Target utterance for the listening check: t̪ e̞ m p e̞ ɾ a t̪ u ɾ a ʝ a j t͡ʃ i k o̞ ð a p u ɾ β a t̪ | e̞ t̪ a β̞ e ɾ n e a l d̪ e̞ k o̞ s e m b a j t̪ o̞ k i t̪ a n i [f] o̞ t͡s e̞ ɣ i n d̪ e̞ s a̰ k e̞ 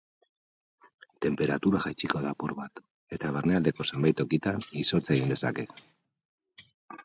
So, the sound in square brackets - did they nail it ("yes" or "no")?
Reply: no